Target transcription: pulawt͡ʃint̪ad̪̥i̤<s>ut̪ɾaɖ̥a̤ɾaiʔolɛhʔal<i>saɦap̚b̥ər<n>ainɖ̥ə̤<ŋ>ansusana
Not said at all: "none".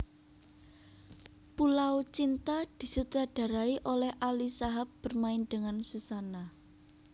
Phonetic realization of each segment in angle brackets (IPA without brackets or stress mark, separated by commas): s, i, m, ŋ